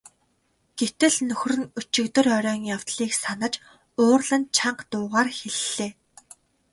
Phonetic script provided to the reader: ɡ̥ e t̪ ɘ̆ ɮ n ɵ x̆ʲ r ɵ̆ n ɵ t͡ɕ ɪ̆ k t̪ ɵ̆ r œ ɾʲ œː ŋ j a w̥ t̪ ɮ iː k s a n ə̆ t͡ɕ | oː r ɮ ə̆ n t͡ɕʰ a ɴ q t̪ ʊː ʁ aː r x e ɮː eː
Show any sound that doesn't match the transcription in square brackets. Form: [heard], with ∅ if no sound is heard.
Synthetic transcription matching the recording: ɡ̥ e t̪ ɘ̆ ɮ n ɵ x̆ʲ r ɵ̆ n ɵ t͡ɕ ɪ̆ k t̪ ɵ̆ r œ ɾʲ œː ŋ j a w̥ t̪ ɮ iː k s a n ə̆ t͡ɕ | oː r ɮ ə̆ n t͡ɕʰ a ɴ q t̪ ʊː ʁ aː r x e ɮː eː